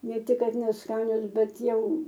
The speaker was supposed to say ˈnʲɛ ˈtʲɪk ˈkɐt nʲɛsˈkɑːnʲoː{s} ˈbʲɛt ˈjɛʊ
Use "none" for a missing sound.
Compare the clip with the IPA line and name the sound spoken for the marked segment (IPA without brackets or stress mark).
s